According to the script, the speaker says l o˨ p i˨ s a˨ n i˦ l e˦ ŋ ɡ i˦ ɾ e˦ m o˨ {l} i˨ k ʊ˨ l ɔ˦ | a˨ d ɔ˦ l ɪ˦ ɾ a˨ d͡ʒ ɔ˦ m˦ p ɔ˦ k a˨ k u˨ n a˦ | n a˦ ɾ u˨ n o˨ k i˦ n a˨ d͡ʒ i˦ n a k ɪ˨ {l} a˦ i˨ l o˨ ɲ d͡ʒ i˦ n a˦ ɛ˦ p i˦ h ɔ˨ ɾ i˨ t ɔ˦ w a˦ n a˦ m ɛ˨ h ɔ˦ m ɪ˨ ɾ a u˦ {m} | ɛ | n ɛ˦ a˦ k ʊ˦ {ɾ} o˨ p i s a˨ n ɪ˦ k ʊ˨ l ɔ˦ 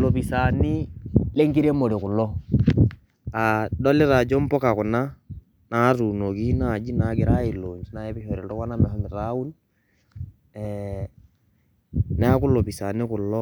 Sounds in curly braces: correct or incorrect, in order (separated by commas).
incorrect, incorrect, incorrect, incorrect